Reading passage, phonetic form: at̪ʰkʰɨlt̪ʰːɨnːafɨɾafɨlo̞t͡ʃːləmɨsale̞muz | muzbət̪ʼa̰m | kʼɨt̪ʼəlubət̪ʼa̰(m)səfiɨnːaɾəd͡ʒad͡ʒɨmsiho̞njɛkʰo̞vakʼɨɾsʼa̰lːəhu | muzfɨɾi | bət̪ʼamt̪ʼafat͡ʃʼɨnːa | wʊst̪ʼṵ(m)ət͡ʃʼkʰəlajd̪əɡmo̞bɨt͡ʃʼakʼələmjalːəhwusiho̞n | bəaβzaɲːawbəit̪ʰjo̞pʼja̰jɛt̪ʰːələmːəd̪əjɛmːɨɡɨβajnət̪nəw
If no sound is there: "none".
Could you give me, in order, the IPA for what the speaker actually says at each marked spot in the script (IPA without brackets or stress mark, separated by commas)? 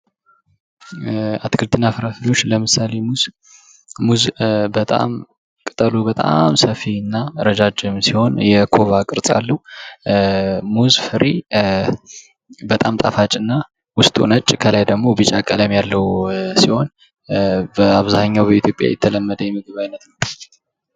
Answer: m, n